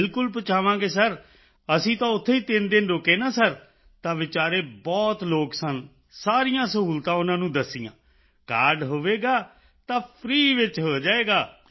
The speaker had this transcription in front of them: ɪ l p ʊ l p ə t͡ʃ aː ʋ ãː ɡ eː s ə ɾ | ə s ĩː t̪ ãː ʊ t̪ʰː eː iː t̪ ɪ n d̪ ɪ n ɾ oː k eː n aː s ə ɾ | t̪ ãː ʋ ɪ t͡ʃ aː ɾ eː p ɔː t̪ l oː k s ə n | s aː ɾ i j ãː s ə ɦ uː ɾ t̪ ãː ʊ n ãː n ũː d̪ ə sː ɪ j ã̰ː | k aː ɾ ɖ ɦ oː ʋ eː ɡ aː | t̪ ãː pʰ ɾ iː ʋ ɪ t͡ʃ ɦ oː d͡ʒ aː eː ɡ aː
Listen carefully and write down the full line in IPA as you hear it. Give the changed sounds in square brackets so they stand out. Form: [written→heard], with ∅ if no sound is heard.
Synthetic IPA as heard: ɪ l [p→k] ʊ l p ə t͡ʃ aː ʋ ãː ɡ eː s ə ɾ | ə s ĩː t̪ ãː ʊ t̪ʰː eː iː t̪ ɪ n d̪ ɪ n ɾ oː k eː n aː s ə ɾ | t̪ ãː ʋ ɪ t͡ʃ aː ɾ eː [p→b] ɔː t̪ l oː k s ə n | s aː ɾ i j ãː s ə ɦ uː [ɾ→l] t̪ ãː ʊ n ãː n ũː d̪ ə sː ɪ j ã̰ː | k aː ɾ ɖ ɦ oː ʋ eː ɡ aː | t̪ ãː pʰ ɾ iː ʋ ɪ t͡ʃ ɦ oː d͡ʒ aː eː ɡ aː